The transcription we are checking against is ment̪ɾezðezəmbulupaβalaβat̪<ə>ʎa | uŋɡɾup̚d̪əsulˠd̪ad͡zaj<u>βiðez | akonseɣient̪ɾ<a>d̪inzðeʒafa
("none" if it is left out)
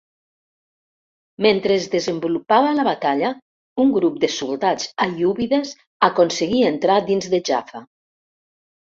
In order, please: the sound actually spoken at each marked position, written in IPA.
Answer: a, u, a

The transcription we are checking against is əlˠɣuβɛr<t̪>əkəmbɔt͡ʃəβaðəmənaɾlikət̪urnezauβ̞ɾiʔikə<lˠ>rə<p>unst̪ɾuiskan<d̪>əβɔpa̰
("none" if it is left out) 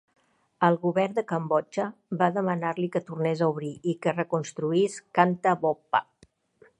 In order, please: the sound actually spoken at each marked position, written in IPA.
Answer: d̪, none, k, t̪

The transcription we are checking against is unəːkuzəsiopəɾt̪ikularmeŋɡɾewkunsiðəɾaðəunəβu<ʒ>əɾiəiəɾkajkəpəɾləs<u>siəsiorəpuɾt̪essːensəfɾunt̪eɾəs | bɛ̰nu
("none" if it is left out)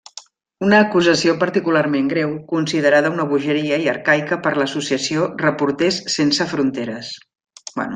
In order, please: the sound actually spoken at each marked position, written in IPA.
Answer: ʒ, u

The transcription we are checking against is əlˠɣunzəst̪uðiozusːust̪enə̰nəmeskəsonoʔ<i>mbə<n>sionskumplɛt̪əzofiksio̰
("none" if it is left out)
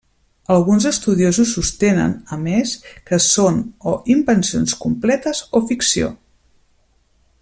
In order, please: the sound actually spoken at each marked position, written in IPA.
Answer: i, n

